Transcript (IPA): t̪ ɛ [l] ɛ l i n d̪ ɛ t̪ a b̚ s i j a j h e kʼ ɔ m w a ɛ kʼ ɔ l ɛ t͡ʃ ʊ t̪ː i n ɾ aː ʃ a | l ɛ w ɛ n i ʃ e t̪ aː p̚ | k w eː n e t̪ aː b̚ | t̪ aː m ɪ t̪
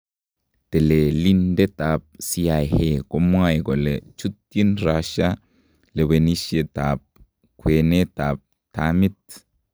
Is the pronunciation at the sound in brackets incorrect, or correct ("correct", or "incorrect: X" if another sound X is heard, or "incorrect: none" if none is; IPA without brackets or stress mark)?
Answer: correct